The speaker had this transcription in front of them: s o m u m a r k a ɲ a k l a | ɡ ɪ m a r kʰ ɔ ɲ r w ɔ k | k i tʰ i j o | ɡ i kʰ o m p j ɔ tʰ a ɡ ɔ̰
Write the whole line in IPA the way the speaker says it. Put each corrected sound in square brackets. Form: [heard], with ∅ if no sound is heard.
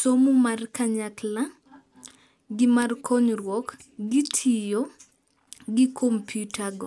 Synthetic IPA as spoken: s o m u m a r k a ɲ a k l a | ɡ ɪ m a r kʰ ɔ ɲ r w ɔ k | [ɡ] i tʰ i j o | ɡ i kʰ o m p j [u] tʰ a ɡ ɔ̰